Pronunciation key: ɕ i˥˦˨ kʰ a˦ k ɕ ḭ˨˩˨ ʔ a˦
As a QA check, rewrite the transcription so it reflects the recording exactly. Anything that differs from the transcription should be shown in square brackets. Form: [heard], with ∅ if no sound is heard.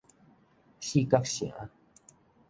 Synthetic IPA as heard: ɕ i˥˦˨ [k] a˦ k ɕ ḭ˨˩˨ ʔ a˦